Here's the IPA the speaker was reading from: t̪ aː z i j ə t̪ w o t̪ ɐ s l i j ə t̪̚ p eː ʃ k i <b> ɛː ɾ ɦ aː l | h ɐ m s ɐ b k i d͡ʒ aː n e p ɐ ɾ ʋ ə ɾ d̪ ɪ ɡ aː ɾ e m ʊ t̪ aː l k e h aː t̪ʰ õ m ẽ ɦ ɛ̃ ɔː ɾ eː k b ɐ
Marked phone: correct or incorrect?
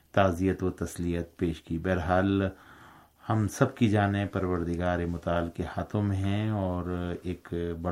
correct